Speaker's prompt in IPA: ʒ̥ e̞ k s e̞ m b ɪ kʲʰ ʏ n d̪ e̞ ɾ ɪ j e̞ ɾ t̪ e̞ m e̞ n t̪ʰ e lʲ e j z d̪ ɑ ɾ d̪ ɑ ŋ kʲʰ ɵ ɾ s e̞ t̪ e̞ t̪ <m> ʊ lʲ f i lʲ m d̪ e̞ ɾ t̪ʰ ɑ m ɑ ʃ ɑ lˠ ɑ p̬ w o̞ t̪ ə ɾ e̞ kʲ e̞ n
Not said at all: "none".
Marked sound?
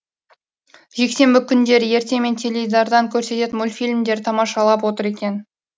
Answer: m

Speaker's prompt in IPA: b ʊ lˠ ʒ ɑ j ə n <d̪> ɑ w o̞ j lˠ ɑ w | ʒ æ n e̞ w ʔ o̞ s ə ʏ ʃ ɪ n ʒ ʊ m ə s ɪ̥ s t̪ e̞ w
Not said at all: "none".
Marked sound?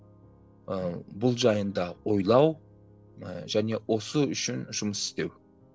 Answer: d̪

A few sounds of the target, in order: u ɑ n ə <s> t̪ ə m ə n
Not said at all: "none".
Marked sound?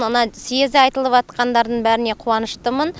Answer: ʃ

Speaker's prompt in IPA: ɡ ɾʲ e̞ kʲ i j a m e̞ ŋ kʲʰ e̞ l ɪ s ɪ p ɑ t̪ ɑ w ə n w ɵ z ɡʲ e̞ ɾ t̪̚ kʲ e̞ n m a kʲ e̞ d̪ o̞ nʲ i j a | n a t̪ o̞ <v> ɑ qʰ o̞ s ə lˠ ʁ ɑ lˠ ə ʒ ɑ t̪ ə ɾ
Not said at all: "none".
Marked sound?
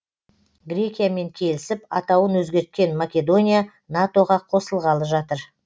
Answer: ʁ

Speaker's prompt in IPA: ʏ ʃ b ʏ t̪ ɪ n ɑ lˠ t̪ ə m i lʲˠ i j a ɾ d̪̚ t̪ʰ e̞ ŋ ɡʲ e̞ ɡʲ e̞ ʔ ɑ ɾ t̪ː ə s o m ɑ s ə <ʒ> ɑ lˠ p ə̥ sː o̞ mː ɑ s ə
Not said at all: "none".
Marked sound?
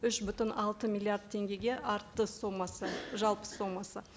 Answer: ʒ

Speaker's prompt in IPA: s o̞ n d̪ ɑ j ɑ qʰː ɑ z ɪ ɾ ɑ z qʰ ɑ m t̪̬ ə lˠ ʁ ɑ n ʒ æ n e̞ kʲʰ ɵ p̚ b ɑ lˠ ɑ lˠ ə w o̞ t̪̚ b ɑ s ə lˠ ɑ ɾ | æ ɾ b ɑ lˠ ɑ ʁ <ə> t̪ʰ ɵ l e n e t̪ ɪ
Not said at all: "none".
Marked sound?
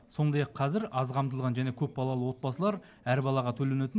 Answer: ɑ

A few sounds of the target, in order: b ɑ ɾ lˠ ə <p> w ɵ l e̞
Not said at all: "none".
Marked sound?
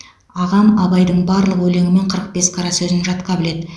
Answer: q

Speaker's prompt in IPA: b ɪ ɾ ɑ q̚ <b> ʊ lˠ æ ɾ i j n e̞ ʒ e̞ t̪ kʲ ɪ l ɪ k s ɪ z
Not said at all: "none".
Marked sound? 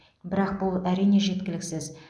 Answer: b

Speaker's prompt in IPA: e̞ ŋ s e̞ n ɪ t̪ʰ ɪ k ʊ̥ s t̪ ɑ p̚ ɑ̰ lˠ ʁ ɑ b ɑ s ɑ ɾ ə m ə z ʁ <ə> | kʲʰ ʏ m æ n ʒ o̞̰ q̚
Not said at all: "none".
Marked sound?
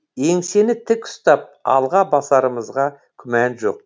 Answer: ɑ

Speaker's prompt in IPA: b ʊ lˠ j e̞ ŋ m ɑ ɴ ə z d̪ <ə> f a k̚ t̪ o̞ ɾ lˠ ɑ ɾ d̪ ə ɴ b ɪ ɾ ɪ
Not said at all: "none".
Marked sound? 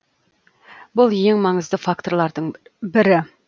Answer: ə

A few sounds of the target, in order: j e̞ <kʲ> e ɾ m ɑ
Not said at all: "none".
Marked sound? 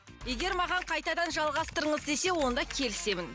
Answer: ɡʲ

